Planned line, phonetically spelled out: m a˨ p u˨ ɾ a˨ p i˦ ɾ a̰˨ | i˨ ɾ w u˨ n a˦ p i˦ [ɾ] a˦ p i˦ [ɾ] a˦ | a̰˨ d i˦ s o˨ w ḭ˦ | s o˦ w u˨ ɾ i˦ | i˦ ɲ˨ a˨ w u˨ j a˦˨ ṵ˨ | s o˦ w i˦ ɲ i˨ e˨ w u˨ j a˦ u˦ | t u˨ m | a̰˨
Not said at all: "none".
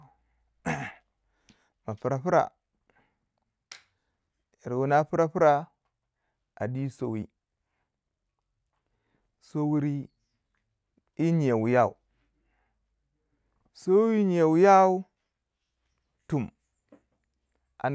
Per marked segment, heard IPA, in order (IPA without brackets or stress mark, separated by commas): ɾ, ɾ